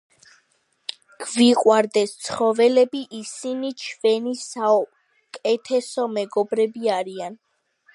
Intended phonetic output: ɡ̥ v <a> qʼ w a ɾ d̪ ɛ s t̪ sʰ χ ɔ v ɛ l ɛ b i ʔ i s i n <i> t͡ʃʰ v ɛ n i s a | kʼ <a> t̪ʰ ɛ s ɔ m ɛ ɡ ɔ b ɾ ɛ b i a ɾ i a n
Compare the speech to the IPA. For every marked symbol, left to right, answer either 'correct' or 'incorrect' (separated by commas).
incorrect, correct, incorrect